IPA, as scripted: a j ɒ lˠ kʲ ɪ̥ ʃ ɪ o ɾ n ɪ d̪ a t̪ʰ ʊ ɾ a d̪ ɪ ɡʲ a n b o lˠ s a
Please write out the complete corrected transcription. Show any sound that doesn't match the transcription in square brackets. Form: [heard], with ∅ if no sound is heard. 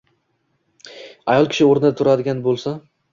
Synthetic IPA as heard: a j ɒ lˠ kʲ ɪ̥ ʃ ɪ o ɾ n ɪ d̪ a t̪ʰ ʊ ɾ a d̪ ɪ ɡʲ a n b o lˠ s a